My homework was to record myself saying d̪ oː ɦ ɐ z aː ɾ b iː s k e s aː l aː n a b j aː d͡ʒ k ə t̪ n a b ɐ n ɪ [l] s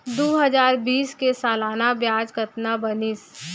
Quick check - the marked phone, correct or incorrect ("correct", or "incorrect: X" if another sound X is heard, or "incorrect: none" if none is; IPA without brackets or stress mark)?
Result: incorrect: none